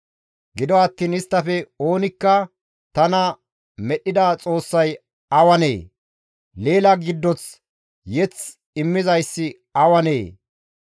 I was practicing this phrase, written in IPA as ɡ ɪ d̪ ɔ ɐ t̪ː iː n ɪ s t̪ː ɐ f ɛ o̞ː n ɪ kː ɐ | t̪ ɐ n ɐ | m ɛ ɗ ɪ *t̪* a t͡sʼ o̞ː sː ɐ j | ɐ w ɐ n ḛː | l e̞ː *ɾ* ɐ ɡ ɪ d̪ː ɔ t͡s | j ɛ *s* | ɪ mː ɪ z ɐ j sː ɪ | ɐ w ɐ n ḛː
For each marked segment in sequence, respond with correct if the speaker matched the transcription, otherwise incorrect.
incorrect, incorrect, incorrect

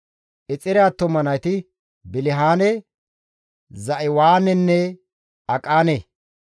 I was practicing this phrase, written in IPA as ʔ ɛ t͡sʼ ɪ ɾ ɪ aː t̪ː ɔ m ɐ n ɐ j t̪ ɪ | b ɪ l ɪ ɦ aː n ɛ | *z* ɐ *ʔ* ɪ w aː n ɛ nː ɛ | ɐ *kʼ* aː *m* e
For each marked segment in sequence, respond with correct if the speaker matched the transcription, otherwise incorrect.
correct, correct, correct, incorrect

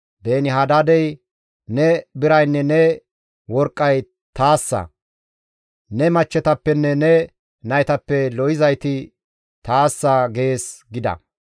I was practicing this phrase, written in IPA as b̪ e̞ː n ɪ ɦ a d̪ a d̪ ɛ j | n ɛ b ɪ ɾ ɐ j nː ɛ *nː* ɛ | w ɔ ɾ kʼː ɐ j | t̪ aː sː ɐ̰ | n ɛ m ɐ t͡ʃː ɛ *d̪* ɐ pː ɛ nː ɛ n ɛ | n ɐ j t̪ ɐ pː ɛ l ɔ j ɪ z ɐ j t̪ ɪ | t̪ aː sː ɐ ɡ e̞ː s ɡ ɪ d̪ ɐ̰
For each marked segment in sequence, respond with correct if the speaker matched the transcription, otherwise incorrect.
incorrect, incorrect

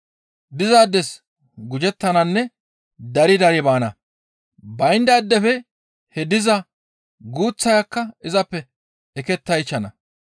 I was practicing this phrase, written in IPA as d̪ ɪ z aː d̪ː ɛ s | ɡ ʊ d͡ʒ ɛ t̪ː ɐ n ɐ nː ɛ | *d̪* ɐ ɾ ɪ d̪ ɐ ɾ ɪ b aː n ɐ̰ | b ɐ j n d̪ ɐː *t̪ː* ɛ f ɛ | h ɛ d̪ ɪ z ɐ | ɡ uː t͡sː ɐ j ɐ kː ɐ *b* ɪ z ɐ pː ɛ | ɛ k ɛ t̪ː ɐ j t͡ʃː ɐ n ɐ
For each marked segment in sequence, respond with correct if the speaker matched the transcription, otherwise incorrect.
correct, incorrect, incorrect

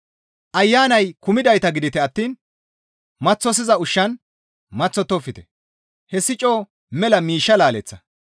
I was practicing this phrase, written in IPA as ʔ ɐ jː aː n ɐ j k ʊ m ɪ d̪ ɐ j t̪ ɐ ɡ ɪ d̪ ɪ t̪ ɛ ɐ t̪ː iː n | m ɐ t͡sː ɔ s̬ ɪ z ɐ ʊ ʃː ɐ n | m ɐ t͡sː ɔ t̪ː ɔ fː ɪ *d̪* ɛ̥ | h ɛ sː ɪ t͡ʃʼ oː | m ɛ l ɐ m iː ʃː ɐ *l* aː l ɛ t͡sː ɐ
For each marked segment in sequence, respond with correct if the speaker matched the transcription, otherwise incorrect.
incorrect, correct

